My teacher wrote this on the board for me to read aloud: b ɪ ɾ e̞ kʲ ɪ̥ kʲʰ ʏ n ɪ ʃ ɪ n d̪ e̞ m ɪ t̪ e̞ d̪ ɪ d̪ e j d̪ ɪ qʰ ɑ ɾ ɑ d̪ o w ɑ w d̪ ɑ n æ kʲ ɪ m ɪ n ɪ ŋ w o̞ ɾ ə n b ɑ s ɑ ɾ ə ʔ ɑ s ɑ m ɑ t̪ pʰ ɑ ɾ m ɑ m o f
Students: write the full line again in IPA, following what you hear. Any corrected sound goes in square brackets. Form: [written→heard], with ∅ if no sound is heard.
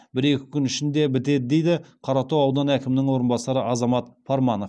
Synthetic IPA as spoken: b ɪ ɾ e̞ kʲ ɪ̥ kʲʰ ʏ n ɪ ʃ ɪ n d̪ e̞ [m→b] ɪ t̪ e̞ d̪ ɪ d̪ e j d̪ ɪ qʰ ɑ ɾ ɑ [d̪→t̪] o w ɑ w d̪ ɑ n æ kʲ ɪ m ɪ n ɪ ŋ w o̞ ɾ ə n b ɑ s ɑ ɾ ə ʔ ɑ [s→z] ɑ m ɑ t̪ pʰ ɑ ɾ m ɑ [m→n] o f